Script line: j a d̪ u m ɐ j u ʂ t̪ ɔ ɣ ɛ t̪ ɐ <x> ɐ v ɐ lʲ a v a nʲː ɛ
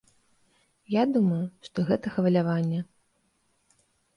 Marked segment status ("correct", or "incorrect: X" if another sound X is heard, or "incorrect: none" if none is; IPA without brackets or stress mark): correct